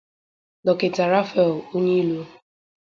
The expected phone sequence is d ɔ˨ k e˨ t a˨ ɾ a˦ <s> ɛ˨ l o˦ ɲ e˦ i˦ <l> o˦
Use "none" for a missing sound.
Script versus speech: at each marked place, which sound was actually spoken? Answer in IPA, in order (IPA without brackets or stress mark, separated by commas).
f, l